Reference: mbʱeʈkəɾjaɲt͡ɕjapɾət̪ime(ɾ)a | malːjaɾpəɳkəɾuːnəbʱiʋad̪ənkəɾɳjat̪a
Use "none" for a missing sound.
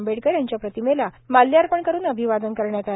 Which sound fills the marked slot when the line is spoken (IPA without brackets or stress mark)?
l